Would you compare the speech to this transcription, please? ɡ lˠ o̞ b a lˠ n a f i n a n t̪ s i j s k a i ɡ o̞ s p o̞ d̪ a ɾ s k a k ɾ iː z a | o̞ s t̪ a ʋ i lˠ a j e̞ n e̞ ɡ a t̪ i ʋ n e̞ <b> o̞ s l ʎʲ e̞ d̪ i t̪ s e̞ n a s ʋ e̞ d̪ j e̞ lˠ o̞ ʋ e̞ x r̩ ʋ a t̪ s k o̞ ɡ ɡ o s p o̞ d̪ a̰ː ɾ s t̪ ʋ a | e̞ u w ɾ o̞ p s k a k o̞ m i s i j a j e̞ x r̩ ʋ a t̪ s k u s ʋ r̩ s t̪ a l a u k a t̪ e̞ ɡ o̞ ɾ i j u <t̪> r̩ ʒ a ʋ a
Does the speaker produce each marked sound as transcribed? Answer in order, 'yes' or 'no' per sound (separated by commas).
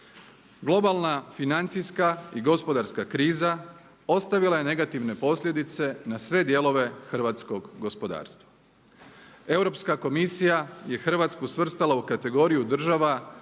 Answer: no, no